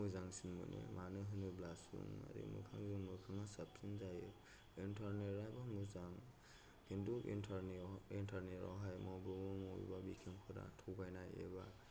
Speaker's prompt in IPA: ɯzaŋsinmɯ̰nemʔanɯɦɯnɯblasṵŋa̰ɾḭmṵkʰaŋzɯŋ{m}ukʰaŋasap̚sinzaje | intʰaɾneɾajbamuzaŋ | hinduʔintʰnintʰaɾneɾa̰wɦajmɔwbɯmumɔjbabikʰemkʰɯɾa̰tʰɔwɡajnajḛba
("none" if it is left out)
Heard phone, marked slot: m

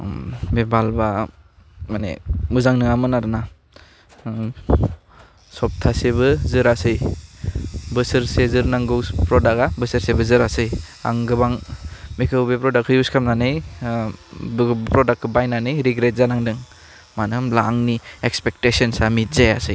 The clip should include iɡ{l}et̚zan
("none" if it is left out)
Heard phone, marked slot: ɾ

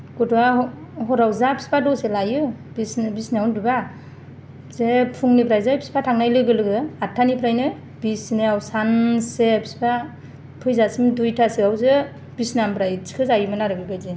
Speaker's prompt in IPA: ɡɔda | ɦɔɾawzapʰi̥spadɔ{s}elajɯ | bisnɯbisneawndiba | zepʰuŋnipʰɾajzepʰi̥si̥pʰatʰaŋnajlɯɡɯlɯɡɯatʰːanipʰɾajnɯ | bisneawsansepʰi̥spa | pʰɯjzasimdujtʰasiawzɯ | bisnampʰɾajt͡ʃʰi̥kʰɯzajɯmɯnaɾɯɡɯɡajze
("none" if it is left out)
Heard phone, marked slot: s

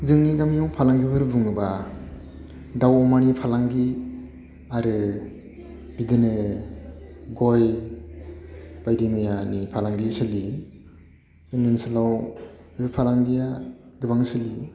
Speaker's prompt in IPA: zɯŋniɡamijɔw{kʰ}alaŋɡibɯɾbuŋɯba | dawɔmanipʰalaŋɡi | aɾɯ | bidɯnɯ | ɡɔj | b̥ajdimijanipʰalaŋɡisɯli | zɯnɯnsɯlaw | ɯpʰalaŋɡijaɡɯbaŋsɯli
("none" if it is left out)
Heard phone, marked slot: pʰ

